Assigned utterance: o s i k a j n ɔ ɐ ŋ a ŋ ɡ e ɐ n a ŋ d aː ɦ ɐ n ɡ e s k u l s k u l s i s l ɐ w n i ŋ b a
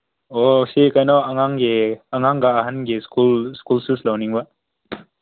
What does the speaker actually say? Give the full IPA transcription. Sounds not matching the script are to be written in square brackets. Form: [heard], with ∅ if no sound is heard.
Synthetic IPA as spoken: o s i k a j n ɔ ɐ ŋ a ŋ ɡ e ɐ [ŋ] a ŋ [ɡ] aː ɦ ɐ n ɡ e s k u l s k u l s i s l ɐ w n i ŋ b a